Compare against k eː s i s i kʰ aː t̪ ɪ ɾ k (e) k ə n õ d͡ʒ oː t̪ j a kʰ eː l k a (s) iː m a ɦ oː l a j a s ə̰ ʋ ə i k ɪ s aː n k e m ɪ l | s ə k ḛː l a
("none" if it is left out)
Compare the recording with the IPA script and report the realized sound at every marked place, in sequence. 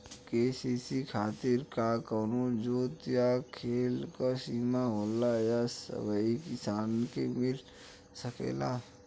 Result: a, s

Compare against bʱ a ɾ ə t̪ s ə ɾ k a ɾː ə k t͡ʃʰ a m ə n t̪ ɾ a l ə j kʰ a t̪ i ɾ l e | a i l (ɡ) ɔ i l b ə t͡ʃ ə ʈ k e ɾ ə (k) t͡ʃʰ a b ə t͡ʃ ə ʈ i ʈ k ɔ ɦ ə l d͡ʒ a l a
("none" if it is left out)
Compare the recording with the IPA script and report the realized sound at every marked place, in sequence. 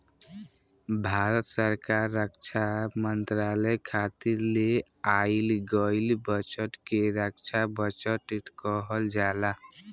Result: ɡ, k

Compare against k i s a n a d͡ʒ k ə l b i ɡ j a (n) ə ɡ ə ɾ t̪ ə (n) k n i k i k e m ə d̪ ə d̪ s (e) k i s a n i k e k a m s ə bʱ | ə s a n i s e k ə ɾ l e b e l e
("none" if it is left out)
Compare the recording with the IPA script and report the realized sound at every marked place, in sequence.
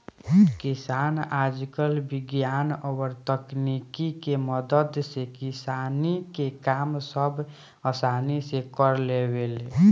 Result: n, none, e

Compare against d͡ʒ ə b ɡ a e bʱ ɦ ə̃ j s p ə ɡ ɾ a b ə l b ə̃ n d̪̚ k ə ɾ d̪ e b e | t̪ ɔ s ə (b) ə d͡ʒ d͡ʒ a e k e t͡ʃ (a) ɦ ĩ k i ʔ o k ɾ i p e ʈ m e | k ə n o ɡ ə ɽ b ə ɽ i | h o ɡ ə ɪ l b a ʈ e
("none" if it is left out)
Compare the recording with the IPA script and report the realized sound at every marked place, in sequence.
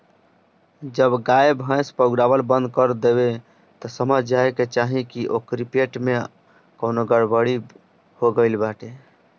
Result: m, a

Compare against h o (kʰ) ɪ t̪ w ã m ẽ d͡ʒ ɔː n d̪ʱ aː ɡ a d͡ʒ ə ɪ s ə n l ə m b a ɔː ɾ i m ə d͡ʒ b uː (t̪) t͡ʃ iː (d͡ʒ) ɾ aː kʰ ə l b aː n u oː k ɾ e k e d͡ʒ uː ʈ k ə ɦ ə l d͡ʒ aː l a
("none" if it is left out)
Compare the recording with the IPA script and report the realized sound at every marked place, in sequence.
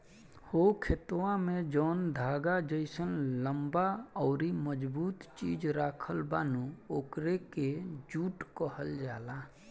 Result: kʰ, t̪, d͡ʒ

